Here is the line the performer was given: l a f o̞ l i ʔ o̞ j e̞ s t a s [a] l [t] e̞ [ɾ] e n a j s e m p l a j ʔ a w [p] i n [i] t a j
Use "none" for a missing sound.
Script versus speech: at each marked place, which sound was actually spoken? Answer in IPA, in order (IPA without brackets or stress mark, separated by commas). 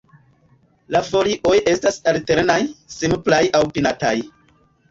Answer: a, t, ɾ, p, a